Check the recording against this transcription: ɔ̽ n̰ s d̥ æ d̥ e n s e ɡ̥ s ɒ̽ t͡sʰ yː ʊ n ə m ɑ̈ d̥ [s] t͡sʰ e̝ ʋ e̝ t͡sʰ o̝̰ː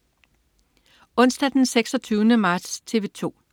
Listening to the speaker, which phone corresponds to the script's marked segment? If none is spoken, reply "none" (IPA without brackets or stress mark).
s